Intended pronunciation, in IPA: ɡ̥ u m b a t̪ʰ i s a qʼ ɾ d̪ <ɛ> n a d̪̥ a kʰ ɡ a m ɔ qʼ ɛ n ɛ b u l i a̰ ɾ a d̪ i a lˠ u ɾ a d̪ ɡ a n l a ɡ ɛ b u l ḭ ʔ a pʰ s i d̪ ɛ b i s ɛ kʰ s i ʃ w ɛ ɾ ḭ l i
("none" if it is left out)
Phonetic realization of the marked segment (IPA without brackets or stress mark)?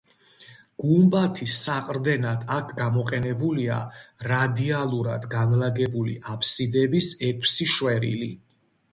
ɛ